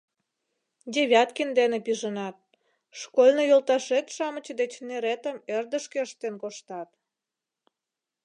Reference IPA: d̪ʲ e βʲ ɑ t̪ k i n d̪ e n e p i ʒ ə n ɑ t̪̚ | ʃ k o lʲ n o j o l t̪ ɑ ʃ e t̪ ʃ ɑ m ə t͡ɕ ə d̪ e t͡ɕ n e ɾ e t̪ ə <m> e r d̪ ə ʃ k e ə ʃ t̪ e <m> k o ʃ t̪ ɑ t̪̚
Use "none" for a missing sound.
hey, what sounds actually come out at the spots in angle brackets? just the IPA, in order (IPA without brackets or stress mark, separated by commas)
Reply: m, n